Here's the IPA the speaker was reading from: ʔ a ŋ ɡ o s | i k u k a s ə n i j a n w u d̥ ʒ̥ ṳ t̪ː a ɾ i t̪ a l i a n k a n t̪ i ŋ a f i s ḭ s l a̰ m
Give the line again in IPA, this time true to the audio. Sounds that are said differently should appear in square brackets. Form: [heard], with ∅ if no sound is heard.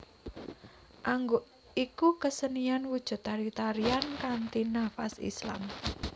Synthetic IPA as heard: ʔ a ŋ ɡ o [∅] | i k u k [ə] s ə n i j a n w u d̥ ʒ̥ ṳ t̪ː a ɾ i t̪ a [ɾ] i a n k a n t̪ i [n] a f [a] s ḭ s l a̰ m